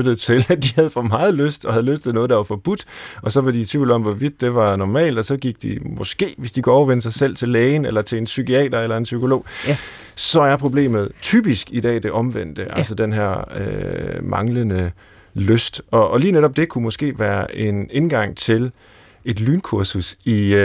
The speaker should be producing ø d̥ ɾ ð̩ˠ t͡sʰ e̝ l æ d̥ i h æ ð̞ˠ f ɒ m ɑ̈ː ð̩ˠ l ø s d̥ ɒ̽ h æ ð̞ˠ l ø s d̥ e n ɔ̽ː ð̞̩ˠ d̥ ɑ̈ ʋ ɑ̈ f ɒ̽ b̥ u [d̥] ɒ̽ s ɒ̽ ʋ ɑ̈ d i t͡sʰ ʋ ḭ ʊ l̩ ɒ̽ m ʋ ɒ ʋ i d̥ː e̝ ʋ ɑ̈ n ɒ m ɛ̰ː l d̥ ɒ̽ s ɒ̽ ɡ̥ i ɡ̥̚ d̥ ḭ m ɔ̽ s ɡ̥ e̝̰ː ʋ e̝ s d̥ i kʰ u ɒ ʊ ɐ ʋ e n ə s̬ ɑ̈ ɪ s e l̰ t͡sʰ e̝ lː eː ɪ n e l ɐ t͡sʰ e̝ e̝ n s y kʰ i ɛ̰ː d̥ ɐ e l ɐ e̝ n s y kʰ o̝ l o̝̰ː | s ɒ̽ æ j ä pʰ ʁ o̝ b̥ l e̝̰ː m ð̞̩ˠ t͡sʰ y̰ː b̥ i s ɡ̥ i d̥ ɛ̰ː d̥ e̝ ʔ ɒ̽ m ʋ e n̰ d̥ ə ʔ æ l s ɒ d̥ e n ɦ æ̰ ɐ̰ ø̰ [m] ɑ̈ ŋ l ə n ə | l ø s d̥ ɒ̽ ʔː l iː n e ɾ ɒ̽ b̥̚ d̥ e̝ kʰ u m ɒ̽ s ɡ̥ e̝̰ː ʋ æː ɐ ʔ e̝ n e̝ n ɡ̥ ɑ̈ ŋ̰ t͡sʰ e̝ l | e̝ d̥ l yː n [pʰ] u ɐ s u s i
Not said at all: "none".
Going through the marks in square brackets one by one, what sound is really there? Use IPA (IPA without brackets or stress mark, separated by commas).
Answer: d̥, m, kʰ